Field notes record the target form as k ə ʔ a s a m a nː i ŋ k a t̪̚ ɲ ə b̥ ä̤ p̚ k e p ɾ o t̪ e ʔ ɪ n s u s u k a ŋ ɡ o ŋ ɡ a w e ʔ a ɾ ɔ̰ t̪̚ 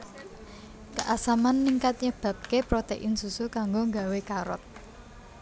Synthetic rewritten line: k ə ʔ a s a m a nː i ŋ k a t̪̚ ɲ ə b̥ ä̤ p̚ k e p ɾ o t̪ e ʔ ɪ n s u s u k a ŋ ɡ o ŋ ɡ a w e k a ɾ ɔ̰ t̪̚